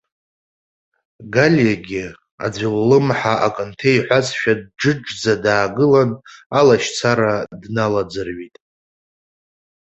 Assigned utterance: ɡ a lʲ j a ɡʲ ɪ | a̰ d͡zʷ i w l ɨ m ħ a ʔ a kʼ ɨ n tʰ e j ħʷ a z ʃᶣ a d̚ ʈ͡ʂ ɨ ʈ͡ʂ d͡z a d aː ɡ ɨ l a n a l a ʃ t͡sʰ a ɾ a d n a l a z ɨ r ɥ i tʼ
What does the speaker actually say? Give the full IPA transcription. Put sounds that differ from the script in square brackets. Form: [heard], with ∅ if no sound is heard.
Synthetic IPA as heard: ɡ a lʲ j a ɡʲ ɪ | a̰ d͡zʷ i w l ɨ m ħ a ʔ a kʼ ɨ n tʰ e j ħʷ a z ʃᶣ a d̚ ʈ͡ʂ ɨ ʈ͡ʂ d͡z a d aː ɡ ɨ l a n a l a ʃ t͡sʰ a ɾ a d n a l a [d͡z] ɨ r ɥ i tʼ

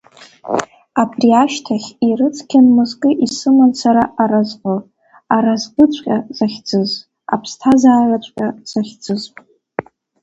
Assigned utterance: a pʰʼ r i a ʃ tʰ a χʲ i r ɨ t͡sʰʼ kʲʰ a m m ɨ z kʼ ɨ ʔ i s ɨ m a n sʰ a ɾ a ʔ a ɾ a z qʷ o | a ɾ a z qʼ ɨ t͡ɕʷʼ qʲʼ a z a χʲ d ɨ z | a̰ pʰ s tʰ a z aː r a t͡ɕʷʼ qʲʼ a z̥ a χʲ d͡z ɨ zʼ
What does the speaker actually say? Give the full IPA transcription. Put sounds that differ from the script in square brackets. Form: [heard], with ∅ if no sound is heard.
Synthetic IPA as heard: a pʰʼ r i a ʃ tʰ a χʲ i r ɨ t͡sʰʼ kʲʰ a [n] m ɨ z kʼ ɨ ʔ i s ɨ m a n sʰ a ɾ a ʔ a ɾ a z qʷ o | a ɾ a z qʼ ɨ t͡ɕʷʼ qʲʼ a z a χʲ [d͡z] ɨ z | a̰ pʰ s tʰ a z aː r a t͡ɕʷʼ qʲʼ a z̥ a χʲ d͡z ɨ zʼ

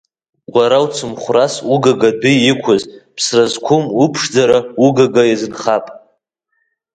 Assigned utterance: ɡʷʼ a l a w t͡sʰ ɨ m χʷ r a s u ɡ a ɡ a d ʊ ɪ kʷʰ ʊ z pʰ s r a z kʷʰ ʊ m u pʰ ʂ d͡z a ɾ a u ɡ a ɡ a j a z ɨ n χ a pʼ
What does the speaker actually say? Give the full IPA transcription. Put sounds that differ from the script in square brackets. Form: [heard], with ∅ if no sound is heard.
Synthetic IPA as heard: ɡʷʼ a [ɾ] a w t͡sʰ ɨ m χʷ r a s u ɡ a ɡ a d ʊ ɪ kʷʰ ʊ z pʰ s r a z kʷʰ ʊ m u pʰ ʂ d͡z a ɾ a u ɡ a ɡ a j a z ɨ n χ a pʼ

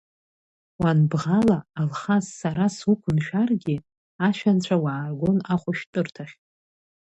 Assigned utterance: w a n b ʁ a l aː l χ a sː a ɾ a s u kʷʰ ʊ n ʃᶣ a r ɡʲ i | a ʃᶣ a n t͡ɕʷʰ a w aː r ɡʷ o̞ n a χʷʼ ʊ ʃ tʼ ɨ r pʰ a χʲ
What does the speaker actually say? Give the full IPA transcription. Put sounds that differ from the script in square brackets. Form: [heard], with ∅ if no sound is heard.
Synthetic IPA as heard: w a n b ʁ a l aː l χ a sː a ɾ a s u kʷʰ ʊ n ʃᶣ a r ɡʲ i | a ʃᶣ a n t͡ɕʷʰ a w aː r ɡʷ o̞ n a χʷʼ ʊ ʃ tʼ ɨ r [tʰ] a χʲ

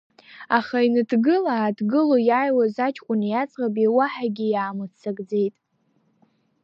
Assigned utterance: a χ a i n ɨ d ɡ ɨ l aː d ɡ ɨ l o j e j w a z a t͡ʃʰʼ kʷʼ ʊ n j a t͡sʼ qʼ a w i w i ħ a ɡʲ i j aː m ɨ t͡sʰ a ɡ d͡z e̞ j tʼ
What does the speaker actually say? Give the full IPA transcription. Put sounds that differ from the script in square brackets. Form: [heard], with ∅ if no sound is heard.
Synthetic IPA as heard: a χ a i n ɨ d ɡ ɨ l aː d ɡ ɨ l o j [a] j w a z a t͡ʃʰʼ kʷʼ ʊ n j a t͡sʼ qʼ a [b] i w [a] ħ a ɡʲ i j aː m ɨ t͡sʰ a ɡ d͡z e̞ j tʼ

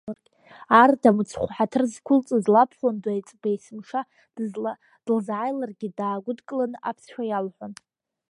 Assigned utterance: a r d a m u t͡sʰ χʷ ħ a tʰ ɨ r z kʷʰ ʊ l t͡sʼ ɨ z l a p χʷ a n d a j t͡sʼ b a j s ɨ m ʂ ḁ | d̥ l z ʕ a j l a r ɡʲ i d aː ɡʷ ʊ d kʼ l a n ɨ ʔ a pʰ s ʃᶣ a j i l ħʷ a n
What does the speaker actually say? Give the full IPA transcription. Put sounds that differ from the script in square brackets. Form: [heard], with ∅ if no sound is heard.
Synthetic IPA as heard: a r d a m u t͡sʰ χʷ ħ a tʰ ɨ r z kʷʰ ʊ l t͡sʼ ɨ z l a [pʰ] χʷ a n d a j t͡sʼ b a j s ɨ m ʂ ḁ | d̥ l z ʕ a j l a r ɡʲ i d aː ɡʷ ʊ d kʼ l a n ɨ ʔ a pʰ s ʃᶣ a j [a] l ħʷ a n

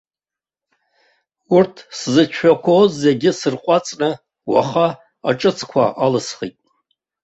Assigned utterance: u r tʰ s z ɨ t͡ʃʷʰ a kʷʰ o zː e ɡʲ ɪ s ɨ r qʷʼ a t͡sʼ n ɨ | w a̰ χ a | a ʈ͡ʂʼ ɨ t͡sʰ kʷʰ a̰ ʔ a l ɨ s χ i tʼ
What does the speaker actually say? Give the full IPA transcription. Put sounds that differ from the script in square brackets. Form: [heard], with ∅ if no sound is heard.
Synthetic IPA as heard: u r tʰ s z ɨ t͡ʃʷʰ a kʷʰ o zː e ɡʲ ɪ s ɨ r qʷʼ a t͡sʼ n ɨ | w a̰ χ a | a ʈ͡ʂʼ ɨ t͡sʰ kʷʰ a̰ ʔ a l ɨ s χ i tʼ

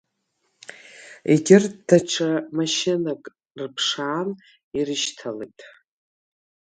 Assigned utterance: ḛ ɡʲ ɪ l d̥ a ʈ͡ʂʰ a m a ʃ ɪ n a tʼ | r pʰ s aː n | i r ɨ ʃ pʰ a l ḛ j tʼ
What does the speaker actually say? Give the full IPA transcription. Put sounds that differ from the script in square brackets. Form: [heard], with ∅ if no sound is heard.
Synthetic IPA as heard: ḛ ɡʲ ɪ [r] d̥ a ʈ͡ʂʰ a m a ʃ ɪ n a [kʼ] | r pʰ [ʂ] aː n | i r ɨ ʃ [tʰ] a l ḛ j tʼ

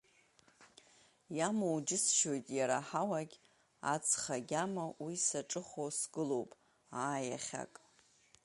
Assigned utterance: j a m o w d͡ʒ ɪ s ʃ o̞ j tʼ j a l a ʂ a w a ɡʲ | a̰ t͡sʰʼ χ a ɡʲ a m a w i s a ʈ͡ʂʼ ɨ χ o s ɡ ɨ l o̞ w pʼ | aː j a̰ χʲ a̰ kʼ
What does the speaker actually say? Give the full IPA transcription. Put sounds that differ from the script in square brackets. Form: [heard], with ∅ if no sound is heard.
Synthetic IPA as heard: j a m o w d͡ʒ ɪ s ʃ o̞ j tʼ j a [ɾ] a [ħ] a w a ɡʲ | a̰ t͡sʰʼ χ a ɡʲ a m a w i s a ʈ͡ʂʼ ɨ χ o s ɡ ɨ l o̞ w pʼ | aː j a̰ χʲ a̰ kʼ

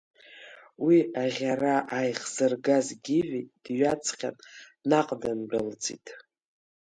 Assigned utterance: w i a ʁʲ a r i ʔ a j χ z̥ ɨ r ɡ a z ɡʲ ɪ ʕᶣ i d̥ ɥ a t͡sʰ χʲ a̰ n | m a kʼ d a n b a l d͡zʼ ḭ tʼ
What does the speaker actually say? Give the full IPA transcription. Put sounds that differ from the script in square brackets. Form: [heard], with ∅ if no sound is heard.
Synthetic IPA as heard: w i a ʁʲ a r [a] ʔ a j χ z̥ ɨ r ɡ a z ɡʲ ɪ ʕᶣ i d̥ ɥ a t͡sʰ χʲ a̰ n | [n] a [qʼ] d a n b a l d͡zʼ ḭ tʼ

